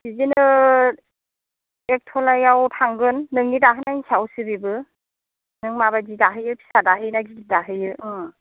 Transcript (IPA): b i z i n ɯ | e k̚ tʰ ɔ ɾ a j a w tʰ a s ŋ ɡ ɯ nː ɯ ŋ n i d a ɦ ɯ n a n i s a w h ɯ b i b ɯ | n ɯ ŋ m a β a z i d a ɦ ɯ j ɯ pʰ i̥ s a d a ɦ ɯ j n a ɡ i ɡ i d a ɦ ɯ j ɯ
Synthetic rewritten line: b i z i n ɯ | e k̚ tʰ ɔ l a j a w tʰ a ŋ ɡ ɯ nː ɯ ŋ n i d a ɦ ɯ n a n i s a w s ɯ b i b ɯ | n ɯ ŋ m a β a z i d a ɦ ɯ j ɯ pʰ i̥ s a d a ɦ ɯ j n a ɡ i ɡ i d a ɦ ɯ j ɯ

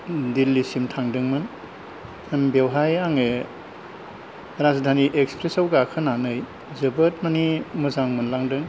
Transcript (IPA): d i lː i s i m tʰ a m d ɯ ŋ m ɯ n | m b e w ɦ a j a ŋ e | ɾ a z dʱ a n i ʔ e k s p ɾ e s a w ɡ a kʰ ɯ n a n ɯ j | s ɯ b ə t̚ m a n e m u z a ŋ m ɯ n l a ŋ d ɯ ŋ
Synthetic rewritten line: d i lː i s i m tʰ a ŋ d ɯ ŋ m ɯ n | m b e w ɦ a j a ŋ e | ɾ a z dʱ a n i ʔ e k s p ɾ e s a w ɡ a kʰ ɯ n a n ɯ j | z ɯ b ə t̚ m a n i m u z a ŋ m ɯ n l a ŋ d ɯ ŋ

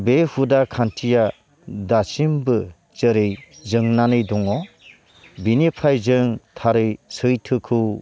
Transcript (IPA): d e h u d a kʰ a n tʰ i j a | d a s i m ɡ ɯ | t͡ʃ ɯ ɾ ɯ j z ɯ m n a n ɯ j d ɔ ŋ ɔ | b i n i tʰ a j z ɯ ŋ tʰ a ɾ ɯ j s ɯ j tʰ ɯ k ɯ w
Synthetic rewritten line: b e h u d a kʰ a n tʰ i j a | d a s i m b ɯ | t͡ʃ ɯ ɾ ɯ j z ɯ ŋ n a n ɯ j d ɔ ŋ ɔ | b i n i pʰ a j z ɯ ŋ tʰ a ɾ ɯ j s ɯ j tʰ ɯ kʰ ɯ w

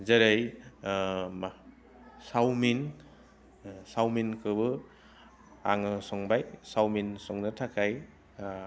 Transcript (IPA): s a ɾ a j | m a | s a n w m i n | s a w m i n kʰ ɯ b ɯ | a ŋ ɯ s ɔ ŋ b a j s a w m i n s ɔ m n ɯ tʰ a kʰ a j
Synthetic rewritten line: z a ɾ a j | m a | s a w m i n | s a w m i n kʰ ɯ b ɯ | a ŋ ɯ s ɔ ŋ b a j s a w m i n s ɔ ŋ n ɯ tʰ a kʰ a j

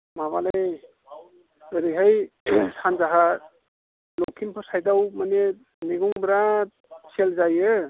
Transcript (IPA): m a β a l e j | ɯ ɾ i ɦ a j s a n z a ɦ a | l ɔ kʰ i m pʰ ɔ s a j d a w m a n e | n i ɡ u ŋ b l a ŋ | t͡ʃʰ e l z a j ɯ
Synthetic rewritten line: m a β a l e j | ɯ ɾ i ɦ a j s a n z a ɦ a | l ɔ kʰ i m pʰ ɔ s a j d a w m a n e | n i ɡ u ŋ b ɾ a | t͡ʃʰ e l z a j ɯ

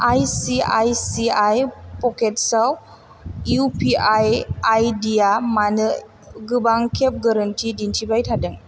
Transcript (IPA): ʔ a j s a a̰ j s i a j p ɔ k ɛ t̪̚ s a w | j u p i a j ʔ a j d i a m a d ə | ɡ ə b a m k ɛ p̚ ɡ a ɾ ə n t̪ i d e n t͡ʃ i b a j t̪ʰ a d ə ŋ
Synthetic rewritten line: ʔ a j s i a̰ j s i a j p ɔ k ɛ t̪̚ s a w | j u p i a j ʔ a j d i a m a n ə | ɡ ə b a ŋ k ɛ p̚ ɡ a ɾ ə n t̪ i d i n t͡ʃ i b a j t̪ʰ a d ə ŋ

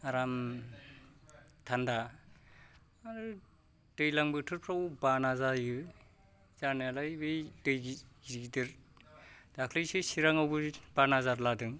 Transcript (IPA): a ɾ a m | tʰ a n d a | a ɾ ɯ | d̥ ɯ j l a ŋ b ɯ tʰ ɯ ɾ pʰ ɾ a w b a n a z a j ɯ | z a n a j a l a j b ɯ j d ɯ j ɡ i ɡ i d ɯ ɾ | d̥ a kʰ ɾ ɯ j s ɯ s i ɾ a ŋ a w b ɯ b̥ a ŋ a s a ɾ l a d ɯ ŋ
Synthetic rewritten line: a ɾ a m | tʰ a n d a | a ɾ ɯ | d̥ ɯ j l a ŋ b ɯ tʰ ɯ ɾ pʰ ɾ a w b a n a z a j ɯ | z a n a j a l a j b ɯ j d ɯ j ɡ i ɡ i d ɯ ɾ | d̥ a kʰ l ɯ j s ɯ s i ɾ a ŋ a w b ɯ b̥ a n a z a ɾ l a d ɯ ŋ

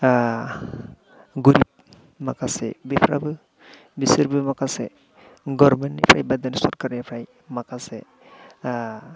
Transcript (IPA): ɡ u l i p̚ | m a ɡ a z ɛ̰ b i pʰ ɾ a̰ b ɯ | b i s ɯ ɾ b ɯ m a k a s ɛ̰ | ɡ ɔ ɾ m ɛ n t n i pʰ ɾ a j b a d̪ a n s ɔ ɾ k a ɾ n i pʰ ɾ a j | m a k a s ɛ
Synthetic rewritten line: ɡ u ɾ i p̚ | m a k a s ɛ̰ b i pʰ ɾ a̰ b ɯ | b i s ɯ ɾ b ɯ m a k a s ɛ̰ | ɡ ɔ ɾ m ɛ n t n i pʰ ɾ a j b a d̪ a n s ɔ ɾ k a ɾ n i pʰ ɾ a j | m a k a s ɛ

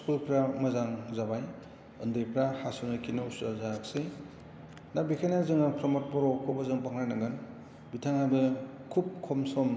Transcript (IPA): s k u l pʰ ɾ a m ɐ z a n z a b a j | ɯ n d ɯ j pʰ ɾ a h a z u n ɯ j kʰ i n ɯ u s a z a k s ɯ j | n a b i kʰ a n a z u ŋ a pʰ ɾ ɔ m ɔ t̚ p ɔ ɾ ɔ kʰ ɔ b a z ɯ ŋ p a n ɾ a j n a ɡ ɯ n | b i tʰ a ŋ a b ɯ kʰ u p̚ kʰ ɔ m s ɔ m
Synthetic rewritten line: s k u l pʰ ɾ a m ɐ z a ŋ z a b a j | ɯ n d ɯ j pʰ ɾ a h a s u n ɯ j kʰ i n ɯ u s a z a k s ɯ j | n a b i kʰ a n a z ɯ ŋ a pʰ ɾ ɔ m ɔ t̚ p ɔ ɾ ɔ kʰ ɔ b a z ɯ ŋ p a ŋ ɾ a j n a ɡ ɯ n | b i tʰ a ŋ a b ɯ kʰ u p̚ kʰ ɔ m s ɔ m

